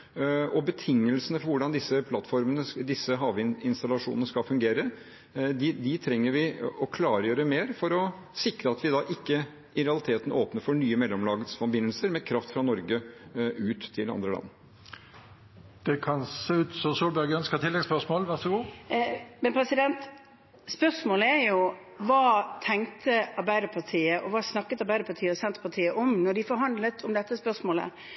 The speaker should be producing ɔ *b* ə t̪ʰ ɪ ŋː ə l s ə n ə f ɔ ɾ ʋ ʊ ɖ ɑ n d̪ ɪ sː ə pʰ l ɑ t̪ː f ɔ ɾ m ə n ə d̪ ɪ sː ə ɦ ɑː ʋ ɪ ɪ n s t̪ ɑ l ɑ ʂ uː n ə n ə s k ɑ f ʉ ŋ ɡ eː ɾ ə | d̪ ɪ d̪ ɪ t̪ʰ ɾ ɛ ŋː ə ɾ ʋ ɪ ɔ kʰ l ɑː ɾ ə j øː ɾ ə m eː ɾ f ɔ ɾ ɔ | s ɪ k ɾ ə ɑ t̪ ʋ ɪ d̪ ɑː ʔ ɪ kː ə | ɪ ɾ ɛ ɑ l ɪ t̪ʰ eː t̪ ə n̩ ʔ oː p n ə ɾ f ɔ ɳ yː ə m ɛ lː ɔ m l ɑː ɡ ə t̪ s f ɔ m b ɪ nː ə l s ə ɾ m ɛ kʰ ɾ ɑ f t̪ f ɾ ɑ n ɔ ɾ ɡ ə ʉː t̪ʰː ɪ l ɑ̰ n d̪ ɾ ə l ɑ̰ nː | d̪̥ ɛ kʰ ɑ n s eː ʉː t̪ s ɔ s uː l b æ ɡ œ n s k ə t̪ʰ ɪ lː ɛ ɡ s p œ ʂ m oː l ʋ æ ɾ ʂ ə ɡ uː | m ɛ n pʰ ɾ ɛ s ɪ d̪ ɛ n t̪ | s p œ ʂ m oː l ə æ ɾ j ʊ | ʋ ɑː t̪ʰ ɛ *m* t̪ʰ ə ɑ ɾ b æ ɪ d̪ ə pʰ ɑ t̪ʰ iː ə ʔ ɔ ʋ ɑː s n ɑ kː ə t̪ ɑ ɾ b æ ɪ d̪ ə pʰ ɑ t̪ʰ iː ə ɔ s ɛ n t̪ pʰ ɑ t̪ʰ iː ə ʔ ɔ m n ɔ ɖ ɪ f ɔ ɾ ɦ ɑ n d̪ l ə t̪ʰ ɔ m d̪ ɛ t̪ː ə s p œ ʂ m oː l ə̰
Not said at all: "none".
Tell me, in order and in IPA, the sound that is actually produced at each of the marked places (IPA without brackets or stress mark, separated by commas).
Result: b, ŋ